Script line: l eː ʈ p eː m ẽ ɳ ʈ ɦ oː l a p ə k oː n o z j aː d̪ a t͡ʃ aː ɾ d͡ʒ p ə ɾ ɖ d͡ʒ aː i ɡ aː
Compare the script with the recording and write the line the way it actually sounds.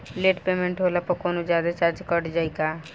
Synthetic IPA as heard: l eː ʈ p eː m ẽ ɳ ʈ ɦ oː l a p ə k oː n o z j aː d̪ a t͡ʃ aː ɾ d͡ʒ k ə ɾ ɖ d͡ʒ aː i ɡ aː